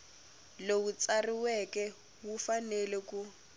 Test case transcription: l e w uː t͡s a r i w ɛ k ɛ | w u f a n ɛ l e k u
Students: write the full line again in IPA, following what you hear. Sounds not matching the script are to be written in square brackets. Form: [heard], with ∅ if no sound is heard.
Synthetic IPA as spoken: l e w [u] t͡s a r i w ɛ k ɛ | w u f a n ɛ l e k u